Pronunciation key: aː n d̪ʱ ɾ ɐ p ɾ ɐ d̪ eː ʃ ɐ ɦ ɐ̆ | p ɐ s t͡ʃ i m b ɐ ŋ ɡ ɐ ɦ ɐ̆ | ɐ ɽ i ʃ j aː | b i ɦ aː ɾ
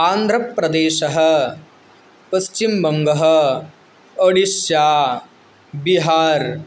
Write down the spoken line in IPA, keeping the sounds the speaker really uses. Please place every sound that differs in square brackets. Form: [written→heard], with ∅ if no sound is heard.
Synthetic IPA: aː n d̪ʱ ɾ ɐ p ɾ ɐ d̪ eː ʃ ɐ ɦ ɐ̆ | p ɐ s t͡ʃ i m b ɐ ŋ ɡ ɐ ɦ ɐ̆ | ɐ ɽ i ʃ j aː | b i ɦ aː ɾ